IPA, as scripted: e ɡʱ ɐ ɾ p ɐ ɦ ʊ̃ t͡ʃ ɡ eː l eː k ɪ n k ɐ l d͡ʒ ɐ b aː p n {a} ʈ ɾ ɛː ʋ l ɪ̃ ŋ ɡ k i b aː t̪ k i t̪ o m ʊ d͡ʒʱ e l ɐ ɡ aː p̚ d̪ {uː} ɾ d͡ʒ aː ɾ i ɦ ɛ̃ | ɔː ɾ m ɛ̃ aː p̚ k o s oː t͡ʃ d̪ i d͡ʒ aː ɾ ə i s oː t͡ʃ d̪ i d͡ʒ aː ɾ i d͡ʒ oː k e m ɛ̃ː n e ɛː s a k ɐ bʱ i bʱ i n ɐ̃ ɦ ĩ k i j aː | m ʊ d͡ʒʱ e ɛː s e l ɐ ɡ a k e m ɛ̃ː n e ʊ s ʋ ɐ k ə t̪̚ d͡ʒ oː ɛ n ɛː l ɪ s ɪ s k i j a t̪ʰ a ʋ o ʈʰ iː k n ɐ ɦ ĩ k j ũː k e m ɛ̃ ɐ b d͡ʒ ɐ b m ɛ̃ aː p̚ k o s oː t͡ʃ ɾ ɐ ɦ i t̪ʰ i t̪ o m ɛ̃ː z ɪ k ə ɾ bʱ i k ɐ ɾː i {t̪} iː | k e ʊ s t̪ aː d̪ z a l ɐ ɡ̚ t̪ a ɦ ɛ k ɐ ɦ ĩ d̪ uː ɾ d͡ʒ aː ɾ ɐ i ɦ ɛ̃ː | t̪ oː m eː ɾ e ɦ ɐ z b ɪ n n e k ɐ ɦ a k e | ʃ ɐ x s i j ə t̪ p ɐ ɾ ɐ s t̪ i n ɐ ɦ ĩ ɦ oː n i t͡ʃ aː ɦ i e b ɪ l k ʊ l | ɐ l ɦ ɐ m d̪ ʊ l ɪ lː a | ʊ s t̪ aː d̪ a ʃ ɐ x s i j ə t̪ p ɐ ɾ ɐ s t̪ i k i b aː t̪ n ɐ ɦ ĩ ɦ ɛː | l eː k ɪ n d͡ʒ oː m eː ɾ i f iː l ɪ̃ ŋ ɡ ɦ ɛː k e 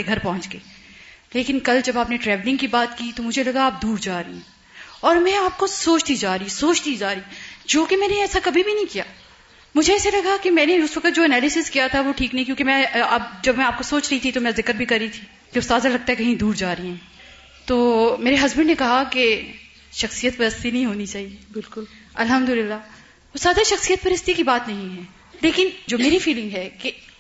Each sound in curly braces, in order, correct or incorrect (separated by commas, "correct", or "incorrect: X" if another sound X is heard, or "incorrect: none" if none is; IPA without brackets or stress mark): incorrect: e, correct, incorrect: t̪ʰ